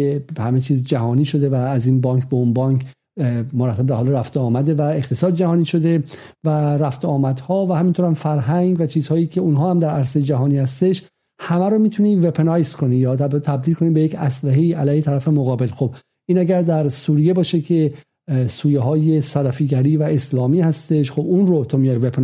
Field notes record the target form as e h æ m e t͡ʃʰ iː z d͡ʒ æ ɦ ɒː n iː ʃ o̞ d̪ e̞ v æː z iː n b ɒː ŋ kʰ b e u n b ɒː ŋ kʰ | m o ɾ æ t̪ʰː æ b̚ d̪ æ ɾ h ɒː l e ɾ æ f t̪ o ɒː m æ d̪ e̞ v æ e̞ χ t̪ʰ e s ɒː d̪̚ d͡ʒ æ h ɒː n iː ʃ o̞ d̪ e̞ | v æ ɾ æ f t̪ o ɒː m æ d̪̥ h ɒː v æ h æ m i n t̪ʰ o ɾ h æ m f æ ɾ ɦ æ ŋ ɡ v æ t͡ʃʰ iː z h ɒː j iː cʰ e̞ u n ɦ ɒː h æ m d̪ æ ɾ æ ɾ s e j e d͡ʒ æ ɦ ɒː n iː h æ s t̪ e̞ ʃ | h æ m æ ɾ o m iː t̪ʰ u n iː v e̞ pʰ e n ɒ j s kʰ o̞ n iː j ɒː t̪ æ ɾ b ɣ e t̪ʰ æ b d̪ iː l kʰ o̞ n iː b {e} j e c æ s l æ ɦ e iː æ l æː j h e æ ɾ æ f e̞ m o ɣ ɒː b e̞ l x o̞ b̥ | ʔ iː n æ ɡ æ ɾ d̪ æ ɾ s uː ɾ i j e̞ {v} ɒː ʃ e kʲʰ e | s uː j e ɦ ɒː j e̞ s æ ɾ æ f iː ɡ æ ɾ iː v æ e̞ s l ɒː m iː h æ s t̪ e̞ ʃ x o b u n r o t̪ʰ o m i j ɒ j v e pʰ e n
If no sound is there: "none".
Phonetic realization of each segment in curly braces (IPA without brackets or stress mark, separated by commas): e, b